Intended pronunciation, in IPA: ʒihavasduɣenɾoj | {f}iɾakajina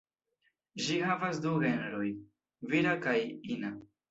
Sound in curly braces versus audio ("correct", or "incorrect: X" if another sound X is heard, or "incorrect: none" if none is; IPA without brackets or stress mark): incorrect: v